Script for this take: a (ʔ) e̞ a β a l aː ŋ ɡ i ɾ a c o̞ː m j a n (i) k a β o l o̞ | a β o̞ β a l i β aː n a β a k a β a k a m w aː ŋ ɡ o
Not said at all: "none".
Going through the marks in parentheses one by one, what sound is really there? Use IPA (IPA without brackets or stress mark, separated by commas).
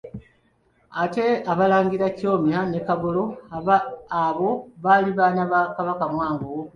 t, e